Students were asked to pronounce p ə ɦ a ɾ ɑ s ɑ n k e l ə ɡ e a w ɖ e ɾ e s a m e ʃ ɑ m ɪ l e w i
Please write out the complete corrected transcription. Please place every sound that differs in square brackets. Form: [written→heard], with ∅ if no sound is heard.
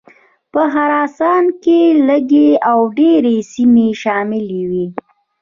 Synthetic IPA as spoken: p ə ɦ a ɾ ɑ s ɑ n k e l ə ɡ e a w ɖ e ɾ e s [a→i] m e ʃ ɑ m ɪ l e w i